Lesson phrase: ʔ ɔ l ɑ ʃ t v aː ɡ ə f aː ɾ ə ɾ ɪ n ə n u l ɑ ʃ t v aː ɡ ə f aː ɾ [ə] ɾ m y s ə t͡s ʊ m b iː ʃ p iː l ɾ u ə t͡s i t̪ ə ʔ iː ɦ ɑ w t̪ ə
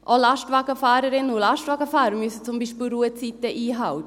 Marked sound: correct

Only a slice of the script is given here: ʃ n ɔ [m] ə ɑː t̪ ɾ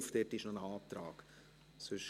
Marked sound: incorrect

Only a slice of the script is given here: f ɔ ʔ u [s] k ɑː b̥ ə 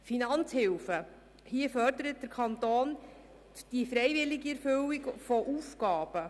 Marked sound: incorrect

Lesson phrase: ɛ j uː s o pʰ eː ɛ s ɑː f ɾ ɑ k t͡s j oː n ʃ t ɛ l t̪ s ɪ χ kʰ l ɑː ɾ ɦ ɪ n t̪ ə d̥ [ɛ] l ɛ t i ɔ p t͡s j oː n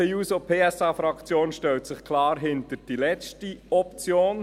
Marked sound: incorrect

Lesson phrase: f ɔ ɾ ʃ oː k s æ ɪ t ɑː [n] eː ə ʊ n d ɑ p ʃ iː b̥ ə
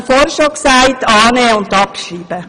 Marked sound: correct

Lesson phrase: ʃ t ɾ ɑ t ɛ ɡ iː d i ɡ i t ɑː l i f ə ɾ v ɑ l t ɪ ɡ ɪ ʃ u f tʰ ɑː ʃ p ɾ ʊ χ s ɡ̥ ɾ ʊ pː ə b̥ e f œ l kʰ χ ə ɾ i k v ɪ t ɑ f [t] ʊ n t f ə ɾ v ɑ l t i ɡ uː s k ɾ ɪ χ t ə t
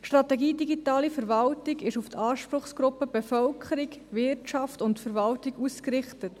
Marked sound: correct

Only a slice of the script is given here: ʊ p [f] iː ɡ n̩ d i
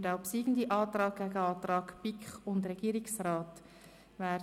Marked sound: incorrect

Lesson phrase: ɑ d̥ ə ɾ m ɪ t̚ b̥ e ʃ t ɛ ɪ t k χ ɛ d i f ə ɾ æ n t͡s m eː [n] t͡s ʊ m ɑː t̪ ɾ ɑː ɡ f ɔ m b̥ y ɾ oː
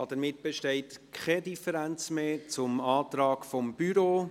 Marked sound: incorrect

